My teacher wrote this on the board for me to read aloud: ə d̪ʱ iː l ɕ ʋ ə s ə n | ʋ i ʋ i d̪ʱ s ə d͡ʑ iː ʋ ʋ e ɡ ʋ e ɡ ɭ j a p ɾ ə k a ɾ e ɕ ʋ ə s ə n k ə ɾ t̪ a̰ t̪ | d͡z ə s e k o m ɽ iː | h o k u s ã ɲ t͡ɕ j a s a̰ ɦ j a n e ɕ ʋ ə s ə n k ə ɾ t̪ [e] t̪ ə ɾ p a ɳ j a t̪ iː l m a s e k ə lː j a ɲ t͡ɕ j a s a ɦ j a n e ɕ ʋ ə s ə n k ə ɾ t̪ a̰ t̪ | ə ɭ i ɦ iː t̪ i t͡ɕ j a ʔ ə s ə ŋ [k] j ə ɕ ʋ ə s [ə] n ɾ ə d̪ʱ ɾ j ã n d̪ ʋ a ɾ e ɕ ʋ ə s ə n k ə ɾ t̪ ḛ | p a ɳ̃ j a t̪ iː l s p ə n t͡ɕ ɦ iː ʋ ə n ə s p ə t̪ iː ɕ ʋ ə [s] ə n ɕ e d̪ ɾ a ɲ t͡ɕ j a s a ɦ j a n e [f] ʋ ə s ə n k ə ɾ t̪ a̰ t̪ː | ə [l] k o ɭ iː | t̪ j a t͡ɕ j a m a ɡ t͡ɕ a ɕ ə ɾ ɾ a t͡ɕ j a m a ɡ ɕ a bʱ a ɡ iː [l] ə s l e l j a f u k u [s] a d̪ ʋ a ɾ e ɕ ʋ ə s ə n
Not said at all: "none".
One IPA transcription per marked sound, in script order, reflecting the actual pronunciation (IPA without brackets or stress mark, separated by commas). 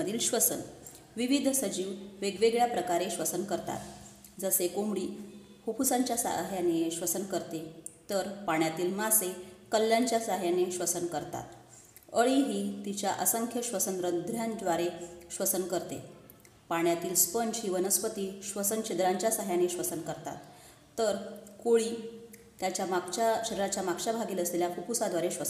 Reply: e, kʰ, ə, s, ɕ, ɾ, l, s